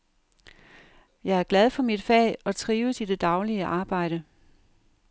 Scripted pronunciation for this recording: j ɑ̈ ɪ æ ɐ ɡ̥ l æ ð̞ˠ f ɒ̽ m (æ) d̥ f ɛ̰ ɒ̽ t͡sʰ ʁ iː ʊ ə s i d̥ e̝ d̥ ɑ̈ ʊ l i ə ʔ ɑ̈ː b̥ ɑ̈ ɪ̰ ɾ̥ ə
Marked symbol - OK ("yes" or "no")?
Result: no